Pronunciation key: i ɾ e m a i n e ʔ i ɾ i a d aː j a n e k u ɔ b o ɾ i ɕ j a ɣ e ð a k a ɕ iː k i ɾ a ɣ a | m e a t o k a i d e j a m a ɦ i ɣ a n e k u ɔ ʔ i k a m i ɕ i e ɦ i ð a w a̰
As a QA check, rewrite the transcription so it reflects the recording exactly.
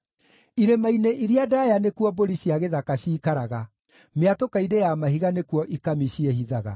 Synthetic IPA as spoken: i ɾ e m a i n e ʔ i ɾ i a d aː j a n e k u ɔ b o ɾ i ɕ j a ɣ e ð a k a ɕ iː k a ɾ a ɣ a | m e a t o k a i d e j a m a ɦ i ɣ a n e k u ɔ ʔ i k a m i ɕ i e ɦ i ð a ɣ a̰